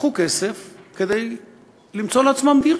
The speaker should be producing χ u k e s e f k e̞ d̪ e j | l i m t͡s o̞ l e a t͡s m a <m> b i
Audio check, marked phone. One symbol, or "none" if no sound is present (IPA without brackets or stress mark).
m